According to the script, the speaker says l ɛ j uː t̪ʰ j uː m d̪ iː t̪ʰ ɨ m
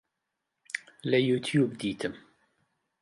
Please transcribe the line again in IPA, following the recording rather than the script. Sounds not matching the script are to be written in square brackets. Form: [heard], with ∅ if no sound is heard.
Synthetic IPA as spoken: l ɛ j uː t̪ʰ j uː [b] d̪ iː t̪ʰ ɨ m